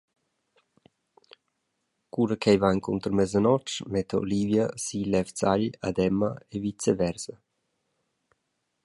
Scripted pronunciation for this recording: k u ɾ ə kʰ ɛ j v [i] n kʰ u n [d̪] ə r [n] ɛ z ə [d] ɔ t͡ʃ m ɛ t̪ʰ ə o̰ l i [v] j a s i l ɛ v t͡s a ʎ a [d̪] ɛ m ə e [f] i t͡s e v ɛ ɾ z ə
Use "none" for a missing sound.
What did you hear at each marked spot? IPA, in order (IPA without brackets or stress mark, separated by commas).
a, t̪, m, n, v, d̪, v